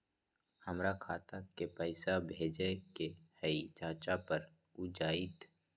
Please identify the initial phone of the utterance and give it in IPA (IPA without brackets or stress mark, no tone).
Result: h